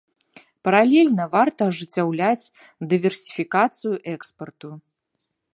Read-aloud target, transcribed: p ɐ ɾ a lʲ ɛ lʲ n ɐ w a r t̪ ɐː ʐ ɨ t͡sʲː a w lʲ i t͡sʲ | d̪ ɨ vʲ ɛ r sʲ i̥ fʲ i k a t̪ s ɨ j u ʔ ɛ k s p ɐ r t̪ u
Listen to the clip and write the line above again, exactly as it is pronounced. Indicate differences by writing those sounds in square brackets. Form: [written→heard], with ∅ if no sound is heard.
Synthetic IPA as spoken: p ɐ ɾ a lʲ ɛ lʲ n ɐ [w→v] a r t̪ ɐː ʐ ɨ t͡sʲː a w lʲ [i→a] t͡sʲ | d̪ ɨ vʲ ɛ r sʲ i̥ fʲ i k a t̪ s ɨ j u ʔ ɛ k s p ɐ r t̪ u